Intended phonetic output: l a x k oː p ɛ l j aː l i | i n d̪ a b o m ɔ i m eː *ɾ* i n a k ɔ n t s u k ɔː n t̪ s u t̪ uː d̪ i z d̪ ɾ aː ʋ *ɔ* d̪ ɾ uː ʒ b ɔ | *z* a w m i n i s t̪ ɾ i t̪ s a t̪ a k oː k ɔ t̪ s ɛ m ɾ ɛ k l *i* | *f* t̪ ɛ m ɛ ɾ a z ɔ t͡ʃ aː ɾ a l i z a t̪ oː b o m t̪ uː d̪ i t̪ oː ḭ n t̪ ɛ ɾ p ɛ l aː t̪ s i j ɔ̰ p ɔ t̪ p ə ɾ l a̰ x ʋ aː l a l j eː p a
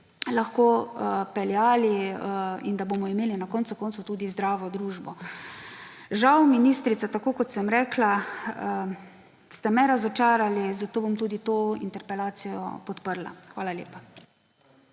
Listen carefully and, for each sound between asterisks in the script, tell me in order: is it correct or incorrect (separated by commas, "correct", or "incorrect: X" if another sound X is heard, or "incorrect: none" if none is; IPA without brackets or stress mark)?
incorrect: l, correct, incorrect: ʒ, incorrect: a, incorrect: s